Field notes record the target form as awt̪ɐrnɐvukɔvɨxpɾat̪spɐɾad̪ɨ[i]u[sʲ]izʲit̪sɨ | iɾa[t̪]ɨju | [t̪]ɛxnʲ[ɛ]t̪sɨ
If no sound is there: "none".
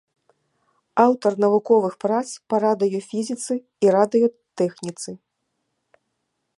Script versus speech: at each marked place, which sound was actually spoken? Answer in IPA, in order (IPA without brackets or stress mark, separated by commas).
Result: j, fʲ, d̪, t̪, i